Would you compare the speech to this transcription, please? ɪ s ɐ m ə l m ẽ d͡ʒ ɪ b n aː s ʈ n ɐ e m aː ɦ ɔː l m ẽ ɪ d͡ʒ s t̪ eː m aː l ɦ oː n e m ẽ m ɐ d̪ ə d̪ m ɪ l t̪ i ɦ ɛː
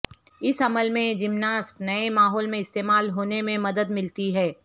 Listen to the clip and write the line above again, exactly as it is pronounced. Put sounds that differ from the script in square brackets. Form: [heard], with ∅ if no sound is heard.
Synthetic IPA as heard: ɪ s ɐ m ə l m ẽ d͡ʒ ɪ [m] n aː s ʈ n ɐ e m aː ɦ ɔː l m ẽ ɪ [∅] s t̪ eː m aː l ɦ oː n e m ẽ m ɐ d̪ ə d̪ m ɪ l t̪ i ɦ ɛː